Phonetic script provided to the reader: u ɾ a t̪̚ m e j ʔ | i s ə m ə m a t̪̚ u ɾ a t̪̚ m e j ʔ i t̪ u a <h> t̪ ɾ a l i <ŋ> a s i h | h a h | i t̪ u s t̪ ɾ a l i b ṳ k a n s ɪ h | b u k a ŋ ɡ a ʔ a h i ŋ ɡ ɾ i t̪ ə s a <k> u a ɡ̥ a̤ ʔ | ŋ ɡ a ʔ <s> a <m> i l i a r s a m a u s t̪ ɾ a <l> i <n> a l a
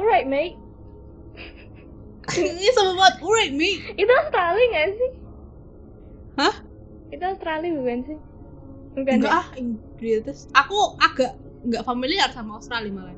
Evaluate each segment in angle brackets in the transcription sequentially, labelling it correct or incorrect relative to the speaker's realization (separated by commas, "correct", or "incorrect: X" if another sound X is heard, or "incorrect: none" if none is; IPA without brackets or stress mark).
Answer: incorrect: s, correct, correct, incorrect: f, correct, correct, incorrect: m